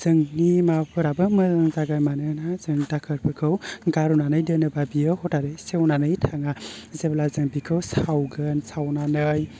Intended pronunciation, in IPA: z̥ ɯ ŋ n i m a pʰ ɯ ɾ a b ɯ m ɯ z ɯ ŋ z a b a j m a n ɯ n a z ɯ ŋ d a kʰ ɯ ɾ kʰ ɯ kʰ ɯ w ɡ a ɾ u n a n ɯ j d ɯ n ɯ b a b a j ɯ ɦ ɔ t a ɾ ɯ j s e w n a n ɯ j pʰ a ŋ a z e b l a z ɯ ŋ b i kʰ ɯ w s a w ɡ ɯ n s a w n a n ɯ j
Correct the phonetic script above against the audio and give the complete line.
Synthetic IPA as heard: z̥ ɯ ŋ n i m a pʰ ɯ ɾ a b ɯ m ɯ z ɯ ŋ z a ɡ a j m a n ɯ n a z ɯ ŋ d a kʰ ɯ ɾ pʰ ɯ kʰ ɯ w ɡ a ɾ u n a n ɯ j d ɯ n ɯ b a b i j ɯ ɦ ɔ t a ɾ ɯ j s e w n a n ɯ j tʰ a ŋ a z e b l a z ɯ ŋ b i kʰ ɯ w s a w ɡ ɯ n s a w n a n ɯ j